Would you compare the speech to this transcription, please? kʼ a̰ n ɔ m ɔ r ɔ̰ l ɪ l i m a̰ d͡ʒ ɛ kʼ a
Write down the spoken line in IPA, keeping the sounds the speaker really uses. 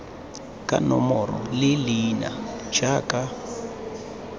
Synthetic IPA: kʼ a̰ n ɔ m ɔ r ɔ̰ l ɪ l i n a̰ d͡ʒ a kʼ a